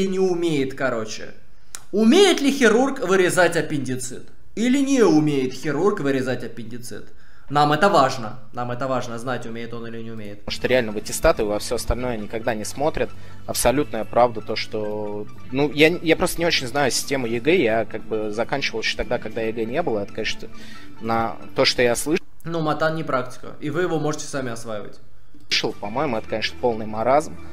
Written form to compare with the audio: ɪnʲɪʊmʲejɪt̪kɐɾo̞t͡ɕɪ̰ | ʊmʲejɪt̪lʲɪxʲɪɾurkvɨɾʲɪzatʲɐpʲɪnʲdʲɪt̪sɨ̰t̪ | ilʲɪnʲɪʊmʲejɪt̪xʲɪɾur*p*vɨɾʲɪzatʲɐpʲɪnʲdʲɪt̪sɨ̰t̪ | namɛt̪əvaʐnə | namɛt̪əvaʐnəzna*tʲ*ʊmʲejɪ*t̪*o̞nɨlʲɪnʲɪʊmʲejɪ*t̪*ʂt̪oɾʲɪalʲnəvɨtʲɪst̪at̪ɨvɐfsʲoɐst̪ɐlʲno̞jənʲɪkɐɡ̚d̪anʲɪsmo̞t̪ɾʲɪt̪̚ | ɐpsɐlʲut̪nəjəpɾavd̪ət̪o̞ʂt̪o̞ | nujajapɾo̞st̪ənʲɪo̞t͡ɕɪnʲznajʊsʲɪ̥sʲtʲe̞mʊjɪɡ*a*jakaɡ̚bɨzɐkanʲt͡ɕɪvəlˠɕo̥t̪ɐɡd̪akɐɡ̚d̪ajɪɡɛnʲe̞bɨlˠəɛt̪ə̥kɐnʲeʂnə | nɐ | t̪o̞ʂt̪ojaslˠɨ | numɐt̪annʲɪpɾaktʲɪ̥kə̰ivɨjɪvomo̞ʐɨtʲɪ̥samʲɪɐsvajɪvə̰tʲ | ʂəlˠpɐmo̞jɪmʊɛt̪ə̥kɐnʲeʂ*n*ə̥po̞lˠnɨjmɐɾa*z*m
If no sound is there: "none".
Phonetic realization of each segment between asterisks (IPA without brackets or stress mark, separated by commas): k, tʲ, t̪, t̪, ɛ, n, z